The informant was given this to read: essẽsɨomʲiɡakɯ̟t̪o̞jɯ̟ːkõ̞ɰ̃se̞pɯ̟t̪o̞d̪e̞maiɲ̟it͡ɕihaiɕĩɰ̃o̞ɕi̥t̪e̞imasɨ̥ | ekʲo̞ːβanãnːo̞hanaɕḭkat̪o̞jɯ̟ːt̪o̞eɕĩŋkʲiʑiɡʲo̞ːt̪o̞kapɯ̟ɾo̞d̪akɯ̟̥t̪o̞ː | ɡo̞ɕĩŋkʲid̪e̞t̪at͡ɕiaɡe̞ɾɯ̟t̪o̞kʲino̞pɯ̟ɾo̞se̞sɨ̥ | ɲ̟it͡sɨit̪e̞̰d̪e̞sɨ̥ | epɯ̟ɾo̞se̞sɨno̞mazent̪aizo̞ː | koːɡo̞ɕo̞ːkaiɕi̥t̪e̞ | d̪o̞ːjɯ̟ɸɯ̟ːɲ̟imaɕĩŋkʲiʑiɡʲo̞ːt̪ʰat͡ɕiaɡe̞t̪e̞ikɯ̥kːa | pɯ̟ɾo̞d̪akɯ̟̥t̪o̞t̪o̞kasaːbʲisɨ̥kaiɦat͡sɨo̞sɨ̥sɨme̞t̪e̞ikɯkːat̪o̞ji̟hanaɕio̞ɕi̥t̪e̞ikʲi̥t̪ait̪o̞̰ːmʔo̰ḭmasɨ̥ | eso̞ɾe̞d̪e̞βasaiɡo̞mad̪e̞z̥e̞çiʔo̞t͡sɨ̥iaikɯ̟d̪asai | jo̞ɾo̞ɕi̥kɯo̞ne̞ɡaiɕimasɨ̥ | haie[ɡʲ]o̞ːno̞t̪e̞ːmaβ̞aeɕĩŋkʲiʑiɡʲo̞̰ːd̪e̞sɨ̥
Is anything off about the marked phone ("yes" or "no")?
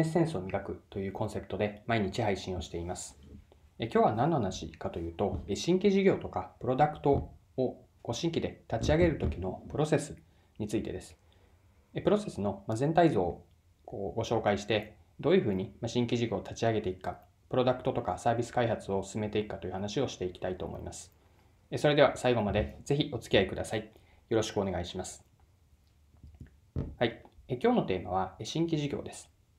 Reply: yes